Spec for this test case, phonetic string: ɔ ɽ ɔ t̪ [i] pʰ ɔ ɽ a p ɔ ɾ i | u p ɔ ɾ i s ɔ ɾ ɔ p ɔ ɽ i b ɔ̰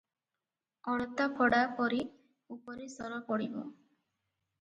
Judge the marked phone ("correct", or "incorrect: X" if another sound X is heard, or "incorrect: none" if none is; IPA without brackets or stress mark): incorrect: a